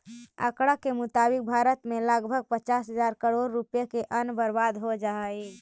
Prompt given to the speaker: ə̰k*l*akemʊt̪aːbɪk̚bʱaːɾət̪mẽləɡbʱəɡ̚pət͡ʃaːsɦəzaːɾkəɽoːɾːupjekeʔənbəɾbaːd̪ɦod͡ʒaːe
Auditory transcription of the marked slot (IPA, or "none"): ɽ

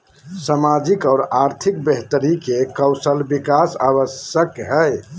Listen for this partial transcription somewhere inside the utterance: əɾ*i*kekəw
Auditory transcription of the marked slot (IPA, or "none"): i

